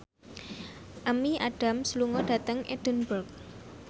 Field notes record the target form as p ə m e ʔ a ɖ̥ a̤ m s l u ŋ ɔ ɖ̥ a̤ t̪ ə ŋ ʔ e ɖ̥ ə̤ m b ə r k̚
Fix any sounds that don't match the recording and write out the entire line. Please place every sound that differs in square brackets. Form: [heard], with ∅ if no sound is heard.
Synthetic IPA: [ʔ] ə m [i] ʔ a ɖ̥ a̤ m s l u ŋ ɔ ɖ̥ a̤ t̪ ə ŋ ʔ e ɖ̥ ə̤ [n] b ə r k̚